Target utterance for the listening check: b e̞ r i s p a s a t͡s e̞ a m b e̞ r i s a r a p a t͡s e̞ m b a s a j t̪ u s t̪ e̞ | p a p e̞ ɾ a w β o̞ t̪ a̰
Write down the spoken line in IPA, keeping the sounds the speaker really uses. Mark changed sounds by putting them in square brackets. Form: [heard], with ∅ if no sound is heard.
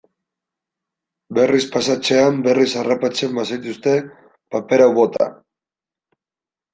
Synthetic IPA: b e̞ r i s p a s a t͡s e̞ a m b e̞ r i s a r a p a t͡s e̞ m b a s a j t̪ u s t̪ e̞ | p a p e̞ ɾ a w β o̞ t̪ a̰